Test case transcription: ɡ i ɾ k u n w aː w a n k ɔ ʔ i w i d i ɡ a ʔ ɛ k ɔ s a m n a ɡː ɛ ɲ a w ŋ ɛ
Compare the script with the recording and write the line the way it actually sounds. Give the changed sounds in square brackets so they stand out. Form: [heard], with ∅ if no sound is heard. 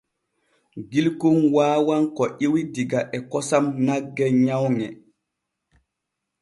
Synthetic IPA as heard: ɡ i [l] k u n w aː w a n k ɔ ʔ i w i d i ɡ a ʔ ɛ k ɔ s a m n a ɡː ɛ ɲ a w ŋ ɛ